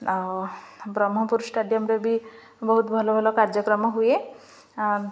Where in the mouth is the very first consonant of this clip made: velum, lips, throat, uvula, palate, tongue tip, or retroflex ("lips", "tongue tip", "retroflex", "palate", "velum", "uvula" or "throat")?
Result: lips